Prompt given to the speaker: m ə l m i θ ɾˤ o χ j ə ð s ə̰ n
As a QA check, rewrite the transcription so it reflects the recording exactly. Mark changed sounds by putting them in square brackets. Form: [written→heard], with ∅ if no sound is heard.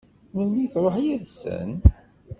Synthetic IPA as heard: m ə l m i θ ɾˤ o [χ→ħ] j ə ð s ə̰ n